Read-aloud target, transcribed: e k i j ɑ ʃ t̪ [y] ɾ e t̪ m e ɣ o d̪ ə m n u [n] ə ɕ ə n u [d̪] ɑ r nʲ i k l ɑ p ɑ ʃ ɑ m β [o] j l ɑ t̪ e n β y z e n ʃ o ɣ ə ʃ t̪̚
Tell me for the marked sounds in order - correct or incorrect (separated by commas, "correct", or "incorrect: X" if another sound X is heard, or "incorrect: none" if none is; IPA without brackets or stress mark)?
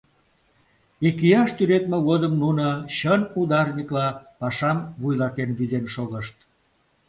correct, correct, correct, incorrect: u